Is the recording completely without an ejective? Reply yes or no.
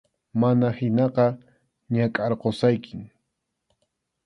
no